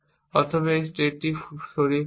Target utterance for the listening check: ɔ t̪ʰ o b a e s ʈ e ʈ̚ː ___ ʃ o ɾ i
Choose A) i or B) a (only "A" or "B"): A